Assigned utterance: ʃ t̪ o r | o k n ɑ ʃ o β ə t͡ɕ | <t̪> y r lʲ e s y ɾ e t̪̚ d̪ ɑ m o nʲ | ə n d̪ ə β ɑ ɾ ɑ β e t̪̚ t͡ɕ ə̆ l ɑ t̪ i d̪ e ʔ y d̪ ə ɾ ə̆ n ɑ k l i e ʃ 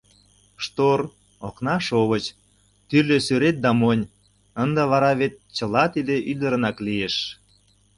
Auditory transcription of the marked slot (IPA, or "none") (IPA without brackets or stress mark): t̪